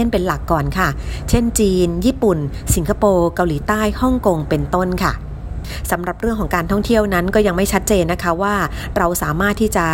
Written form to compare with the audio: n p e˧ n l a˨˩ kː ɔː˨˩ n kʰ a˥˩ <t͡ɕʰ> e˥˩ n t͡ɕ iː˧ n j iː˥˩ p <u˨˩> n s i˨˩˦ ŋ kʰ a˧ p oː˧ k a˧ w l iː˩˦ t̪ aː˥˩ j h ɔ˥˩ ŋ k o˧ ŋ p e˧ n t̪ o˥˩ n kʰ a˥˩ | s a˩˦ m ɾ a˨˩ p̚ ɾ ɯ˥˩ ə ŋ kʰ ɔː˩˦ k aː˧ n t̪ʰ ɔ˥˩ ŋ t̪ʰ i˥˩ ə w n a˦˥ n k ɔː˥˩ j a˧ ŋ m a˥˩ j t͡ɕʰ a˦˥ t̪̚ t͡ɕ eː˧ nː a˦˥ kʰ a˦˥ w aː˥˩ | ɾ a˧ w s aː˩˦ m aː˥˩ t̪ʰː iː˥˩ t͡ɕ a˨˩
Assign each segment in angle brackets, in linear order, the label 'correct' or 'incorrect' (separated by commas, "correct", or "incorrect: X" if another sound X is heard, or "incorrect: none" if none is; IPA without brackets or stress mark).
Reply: correct, correct